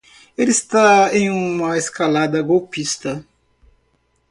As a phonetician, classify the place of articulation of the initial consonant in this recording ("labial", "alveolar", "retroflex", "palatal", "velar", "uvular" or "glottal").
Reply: alveolar